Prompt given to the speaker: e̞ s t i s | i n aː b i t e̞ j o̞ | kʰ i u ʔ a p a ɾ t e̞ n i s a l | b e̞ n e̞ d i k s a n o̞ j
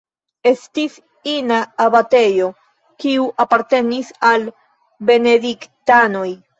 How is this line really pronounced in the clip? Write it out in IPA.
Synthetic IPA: e̞ s t i s | i n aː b a t e̞ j o̞ | k i u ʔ a p a ɾ t e̞ n i s a l | b e̞ n e̞ d i k t a n o̞ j